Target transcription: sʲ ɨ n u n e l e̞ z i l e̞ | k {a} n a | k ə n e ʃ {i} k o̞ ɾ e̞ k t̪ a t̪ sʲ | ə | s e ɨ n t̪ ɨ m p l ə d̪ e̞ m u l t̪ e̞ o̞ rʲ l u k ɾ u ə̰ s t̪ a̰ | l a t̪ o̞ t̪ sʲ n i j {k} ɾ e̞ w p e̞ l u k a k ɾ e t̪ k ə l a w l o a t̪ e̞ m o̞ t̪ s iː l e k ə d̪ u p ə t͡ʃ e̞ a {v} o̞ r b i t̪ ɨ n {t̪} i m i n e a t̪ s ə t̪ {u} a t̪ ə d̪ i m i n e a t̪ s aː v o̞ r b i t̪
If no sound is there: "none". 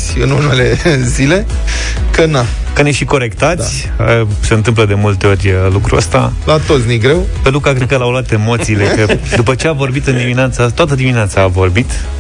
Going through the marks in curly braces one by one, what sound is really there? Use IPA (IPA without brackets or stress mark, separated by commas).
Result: ə, i, ɡ, v, d̪, o